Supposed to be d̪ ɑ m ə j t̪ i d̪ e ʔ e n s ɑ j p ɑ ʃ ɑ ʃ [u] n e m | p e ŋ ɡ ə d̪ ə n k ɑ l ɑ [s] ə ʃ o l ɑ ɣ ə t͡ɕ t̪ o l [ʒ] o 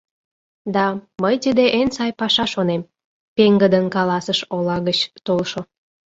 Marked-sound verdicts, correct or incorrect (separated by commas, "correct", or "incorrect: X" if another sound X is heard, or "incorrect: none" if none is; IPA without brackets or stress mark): incorrect: o, correct, incorrect: ʃ